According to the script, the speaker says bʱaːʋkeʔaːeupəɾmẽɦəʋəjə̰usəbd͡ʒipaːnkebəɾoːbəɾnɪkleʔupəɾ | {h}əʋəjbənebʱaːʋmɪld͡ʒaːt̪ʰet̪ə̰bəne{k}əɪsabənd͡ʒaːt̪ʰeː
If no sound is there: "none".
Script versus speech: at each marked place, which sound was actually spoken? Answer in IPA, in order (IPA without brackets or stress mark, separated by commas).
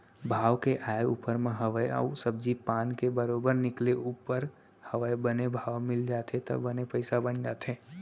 h, p